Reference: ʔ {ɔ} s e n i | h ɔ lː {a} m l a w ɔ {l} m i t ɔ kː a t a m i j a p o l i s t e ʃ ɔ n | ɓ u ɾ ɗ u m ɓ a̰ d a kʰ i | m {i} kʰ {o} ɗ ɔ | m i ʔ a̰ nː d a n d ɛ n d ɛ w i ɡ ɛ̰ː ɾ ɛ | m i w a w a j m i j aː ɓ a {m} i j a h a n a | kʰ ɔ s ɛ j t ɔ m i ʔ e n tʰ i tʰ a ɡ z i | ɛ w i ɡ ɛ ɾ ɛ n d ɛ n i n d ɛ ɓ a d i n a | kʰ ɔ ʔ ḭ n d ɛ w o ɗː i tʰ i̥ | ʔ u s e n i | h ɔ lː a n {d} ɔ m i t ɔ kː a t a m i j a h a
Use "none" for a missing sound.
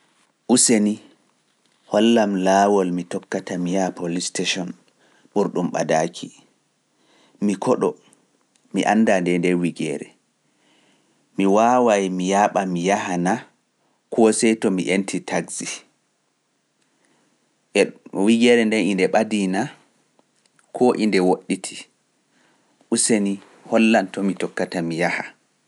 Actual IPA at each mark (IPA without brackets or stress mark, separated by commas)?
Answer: u, a, l, i, ɔ, m, t